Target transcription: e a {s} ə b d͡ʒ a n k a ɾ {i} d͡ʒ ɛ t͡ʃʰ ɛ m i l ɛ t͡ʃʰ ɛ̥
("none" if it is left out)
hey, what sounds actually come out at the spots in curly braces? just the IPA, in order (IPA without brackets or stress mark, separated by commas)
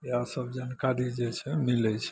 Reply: s, i